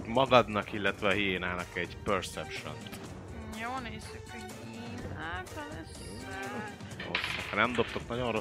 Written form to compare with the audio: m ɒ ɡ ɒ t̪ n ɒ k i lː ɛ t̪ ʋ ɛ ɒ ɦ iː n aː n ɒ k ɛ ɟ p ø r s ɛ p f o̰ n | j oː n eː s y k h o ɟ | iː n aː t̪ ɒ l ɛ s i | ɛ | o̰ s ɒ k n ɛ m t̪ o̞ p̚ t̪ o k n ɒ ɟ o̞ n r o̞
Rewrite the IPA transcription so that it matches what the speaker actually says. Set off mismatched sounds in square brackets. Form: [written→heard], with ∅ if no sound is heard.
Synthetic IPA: m ɒ ɡ ɒ [t̪→d̪] n ɒ k i lː ɛ t̪ ʋ ɛ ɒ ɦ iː n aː n ɒ k ɛ ɟ p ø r s ɛ p [f→ʃ] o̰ n | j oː n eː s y k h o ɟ | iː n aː t̪ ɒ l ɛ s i | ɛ | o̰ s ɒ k n ɛ m [t̪→d̪] o̞ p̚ t̪ o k n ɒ ɟ o̞ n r o̞